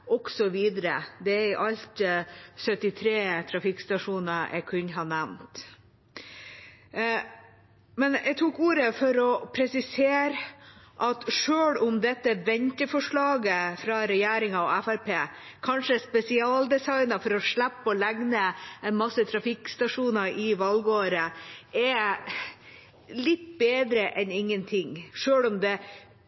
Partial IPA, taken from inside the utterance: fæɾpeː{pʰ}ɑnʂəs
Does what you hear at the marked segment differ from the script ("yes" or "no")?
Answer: yes